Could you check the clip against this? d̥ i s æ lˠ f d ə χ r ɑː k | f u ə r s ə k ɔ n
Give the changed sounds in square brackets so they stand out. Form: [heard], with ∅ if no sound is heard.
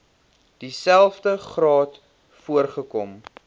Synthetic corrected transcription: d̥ i s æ lˠ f d ə χ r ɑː [t] | f u ə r [χ] ə k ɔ [m]